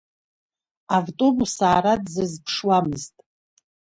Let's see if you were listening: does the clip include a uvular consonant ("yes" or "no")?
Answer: no